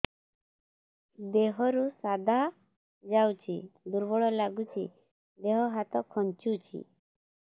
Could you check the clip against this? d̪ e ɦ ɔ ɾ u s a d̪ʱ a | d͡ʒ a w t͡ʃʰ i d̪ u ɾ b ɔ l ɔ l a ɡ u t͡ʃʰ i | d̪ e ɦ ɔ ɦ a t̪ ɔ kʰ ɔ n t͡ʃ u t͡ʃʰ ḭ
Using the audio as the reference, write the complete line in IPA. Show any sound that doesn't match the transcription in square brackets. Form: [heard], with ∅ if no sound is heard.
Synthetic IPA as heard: d̪ e ɦ ɔ ɾ u s a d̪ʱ a | d͡ʒ a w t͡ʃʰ i d̪ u ɾ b ɔ [ɭ] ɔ l a ɡ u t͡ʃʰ i | d̪ e ɦ ɔ ɦ a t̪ ɔ kʰ ɔ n t͡ʃ u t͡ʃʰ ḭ